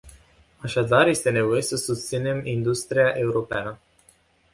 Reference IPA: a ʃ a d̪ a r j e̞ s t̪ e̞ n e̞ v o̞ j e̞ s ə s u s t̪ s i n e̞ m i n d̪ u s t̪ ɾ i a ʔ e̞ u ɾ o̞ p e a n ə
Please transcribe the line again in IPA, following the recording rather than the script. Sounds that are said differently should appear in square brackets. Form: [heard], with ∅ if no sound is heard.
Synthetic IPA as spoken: a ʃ a d̪ a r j e̞ s t̪ e̞ n e̞ v o̞ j e̞ s ə s u s t̪ s i n e̞ m i n d̪ u s t̪ ɾ i a ʔ e̞ u ɾ o̞ p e a n ə

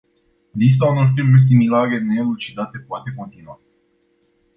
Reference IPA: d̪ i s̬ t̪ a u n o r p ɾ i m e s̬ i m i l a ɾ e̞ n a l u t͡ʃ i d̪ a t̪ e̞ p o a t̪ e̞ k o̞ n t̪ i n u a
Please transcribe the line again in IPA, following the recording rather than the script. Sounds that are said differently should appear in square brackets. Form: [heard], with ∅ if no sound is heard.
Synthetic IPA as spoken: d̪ i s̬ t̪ a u n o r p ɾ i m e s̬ i m i l a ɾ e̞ n [e] l u t͡ʃ i d̪ a t̪ e̞ p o a t̪ e̞ k o̞ n t̪ i n u a

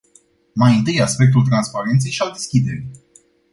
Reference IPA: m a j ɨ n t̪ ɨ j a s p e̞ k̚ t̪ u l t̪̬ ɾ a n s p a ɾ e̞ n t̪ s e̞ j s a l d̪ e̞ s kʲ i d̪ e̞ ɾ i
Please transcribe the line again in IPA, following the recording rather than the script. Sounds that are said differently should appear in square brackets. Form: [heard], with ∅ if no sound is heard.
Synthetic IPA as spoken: m a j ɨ n t̪ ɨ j a s p e̞ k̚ t̪ u l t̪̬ ɾ a n s p a ɾ e̞ n t̪ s e̞ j [ʃ] a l d̪ e̞ s kʲ i d̪ e̞ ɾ i

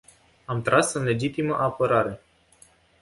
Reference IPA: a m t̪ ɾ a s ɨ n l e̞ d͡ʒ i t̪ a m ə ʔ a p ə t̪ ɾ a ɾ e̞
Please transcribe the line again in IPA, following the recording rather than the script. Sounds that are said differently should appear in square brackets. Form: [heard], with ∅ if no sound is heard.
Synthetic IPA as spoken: a m t̪ ɾ a s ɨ n l e̞ d͡ʒ i t̪ [i] m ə ʔ a p ə [∅] ɾ a ɾ e̞

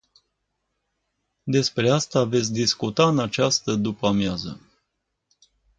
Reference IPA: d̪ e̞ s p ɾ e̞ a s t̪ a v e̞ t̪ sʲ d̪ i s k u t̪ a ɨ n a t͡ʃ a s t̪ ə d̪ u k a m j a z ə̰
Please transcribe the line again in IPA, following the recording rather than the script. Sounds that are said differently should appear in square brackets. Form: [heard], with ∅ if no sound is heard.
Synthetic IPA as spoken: d̪ e̞ s p ɾ e̞ a s t̪ a v e̞ t̪ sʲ d̪ i s k u t̪ a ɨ n a t͡ʃ a s t̪ ə d̪ u [p] a m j a z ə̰

